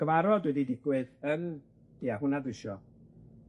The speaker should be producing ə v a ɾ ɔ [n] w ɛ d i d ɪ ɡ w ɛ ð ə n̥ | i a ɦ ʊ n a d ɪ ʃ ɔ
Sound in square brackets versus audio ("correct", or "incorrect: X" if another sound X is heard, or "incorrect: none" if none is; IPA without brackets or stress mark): incorrect: d